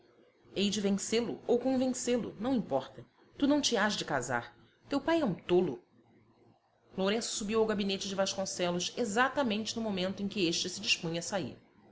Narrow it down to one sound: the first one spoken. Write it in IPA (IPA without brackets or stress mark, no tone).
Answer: e